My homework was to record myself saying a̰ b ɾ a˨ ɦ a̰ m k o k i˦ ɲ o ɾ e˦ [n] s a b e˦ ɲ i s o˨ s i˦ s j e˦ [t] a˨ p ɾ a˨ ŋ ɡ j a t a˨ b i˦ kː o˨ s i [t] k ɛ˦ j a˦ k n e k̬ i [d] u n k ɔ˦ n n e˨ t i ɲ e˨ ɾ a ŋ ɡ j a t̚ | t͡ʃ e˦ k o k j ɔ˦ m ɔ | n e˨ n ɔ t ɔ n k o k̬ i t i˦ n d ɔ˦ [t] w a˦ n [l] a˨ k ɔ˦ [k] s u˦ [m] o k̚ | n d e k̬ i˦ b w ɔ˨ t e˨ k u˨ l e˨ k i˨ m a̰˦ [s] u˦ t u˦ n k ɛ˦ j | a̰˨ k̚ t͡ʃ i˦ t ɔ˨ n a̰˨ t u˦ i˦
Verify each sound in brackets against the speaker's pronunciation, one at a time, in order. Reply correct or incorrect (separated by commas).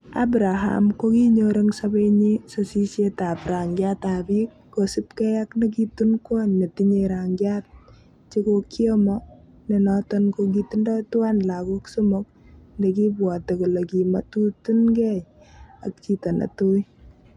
incorrect, correct, incorrect, incorrect, correct, correct, correct, correct, incorrect